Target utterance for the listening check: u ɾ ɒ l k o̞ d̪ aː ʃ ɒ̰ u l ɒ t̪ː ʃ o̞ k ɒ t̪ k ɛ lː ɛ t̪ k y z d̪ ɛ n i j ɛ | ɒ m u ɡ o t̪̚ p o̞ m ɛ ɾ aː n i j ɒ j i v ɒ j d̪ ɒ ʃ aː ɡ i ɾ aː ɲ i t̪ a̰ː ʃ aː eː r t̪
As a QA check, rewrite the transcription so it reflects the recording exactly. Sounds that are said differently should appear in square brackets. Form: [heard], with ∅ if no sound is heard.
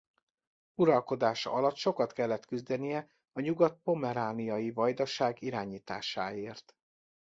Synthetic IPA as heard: u ɾ ɒ l k o̞ d̪ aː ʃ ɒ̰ [ɒ] l ɒ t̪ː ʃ o̞ k ɒ t̪ k ɛ lː ɛ t̪ k y z d̪ ɛ n i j ɛ | ɒ [ɲ] u ɡ [ɒ] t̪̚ p o̞ m ɛ ɾ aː n i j ɒ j i v ɒ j d̪ ɒ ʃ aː ɡ i ɾ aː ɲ [iː] t̪ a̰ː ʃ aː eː r t̪